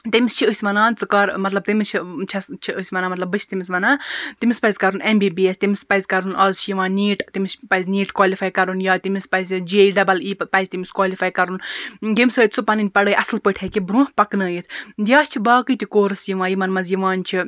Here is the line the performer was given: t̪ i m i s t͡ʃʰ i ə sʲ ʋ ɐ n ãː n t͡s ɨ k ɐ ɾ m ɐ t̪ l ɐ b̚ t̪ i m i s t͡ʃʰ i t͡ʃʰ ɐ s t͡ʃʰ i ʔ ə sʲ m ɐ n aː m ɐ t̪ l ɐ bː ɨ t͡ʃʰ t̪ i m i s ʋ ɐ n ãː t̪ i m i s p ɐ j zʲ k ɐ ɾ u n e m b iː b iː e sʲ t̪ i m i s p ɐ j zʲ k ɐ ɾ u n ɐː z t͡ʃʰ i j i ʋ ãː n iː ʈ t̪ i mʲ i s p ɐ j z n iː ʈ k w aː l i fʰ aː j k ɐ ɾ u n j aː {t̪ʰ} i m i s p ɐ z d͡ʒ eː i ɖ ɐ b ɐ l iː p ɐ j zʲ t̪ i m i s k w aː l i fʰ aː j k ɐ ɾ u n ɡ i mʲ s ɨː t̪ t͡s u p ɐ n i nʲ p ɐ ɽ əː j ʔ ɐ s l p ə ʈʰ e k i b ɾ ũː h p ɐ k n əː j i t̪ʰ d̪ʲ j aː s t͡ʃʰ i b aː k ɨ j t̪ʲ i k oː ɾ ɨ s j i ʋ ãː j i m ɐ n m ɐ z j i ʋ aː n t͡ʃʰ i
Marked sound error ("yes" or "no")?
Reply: yes